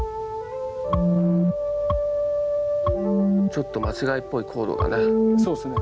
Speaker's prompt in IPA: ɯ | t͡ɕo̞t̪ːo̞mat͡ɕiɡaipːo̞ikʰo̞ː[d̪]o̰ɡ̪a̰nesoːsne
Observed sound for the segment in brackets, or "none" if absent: d̪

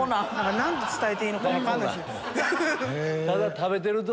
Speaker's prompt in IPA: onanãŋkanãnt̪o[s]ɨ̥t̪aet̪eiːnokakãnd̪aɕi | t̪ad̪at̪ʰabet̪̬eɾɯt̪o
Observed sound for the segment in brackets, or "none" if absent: t͡s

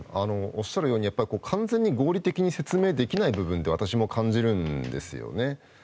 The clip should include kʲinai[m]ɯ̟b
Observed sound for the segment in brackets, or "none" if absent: b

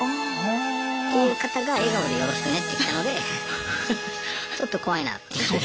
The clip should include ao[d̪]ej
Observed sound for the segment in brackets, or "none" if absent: d̪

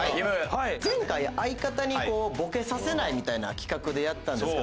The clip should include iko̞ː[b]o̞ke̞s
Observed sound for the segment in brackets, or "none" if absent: b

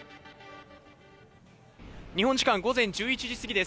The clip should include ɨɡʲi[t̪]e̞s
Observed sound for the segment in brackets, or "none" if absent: d̪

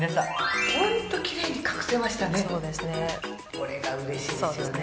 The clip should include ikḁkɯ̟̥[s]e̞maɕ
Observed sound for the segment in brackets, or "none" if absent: s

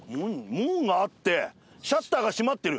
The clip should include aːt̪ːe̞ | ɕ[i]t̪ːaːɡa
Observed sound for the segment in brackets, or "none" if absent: a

